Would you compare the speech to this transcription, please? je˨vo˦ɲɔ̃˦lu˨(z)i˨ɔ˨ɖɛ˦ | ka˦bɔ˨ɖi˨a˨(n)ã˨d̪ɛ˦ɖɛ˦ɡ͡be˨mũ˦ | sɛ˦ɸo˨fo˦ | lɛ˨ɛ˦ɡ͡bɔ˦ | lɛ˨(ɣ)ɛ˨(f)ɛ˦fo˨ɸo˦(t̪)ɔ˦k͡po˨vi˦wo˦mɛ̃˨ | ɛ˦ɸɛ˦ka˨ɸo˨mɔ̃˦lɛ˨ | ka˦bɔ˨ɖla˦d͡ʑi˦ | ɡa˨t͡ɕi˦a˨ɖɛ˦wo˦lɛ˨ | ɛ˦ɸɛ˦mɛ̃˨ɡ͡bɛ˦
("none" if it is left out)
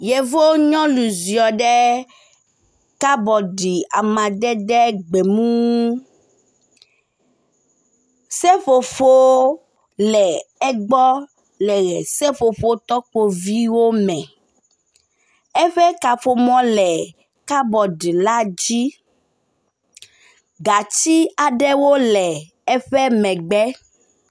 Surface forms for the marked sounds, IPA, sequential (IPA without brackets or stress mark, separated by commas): z, m, ɣ, s, t̪